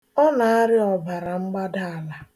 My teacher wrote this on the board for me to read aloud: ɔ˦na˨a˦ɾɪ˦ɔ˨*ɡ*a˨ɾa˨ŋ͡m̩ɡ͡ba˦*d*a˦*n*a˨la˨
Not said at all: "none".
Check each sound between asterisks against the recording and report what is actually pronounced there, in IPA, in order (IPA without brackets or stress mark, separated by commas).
b, d, none